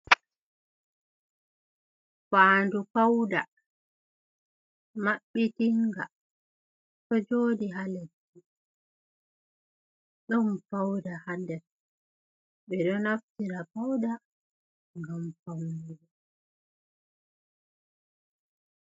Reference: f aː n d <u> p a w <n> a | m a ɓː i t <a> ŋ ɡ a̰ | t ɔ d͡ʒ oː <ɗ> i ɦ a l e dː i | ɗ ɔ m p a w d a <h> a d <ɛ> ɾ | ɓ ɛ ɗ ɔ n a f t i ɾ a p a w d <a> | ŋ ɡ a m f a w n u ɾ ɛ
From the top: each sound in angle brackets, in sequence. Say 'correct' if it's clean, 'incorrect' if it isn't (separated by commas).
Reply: correct, incorrect, incorrect, incorrect, correct, correct, correct